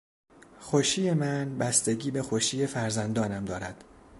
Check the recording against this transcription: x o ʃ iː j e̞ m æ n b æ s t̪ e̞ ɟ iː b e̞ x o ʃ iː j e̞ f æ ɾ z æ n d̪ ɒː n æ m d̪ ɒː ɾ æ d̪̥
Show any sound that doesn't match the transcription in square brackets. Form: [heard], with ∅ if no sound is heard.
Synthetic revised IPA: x o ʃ iː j e̞ m æ n b æ s t̪ e̞ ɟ iː b e̞ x o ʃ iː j e̞ f æ ɾ z æ n d̪ ɒː n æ m d̪ ɒː ɾ æ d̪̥